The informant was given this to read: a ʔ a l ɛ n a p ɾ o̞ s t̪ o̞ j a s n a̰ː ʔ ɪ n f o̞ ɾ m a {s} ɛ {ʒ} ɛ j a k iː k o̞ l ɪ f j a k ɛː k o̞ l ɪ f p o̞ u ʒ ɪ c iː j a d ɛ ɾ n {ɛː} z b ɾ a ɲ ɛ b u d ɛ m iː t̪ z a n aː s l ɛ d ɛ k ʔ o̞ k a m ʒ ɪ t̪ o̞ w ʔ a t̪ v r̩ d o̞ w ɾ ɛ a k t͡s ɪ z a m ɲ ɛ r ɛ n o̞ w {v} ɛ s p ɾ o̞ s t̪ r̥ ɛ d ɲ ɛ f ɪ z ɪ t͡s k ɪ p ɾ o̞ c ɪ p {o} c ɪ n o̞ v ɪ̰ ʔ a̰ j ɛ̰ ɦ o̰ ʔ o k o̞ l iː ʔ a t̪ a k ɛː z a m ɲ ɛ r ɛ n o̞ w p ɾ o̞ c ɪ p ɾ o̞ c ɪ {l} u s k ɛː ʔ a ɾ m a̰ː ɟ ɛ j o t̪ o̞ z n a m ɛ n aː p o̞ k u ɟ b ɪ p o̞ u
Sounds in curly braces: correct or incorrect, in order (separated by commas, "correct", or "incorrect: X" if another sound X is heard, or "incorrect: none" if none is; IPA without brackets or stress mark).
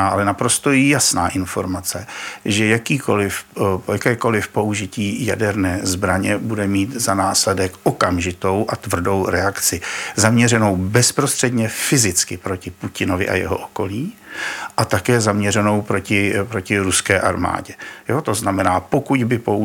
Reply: incorrect: t͡s, correct, correct, incorrect: b, incorrect: u, incorrect: ɾ